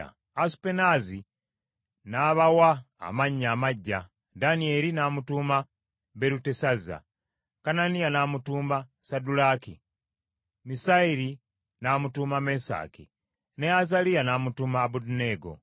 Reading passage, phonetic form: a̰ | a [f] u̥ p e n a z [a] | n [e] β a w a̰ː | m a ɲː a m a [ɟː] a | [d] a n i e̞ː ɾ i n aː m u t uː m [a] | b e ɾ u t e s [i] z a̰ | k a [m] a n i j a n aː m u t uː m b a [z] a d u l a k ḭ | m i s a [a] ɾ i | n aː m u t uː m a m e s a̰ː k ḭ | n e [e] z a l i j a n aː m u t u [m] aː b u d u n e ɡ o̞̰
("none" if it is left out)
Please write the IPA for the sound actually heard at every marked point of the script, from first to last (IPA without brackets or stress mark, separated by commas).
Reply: s, i, a, ɟː, d, a, a, n, s, i, a, m